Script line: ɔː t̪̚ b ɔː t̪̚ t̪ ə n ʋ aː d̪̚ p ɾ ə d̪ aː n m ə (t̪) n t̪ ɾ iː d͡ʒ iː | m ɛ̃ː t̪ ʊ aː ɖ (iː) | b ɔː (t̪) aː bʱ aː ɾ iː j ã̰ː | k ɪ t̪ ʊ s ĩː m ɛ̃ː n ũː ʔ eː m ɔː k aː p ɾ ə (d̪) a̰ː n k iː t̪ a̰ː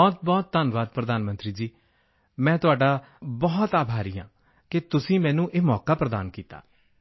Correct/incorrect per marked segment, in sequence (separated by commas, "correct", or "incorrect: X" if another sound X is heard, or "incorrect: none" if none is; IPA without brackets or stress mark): incorrect: none, incorrect: aː, correct, correct